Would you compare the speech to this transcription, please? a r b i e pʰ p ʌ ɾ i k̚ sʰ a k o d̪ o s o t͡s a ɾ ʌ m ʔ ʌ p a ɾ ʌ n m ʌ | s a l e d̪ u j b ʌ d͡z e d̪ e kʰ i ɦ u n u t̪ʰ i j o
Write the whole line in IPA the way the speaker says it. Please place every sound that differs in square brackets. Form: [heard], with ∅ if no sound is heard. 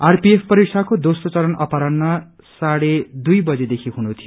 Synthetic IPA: a r [p] i e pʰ p ʌ ɾ i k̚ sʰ a k o d̪ o s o t͡s [ʌ] ɾ ʌ [n] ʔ ʌ p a ɾ ʌ n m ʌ | s a [ɽ] e d̪ u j b ʌ d͡z e d̪ e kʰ i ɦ u n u t̪ʰ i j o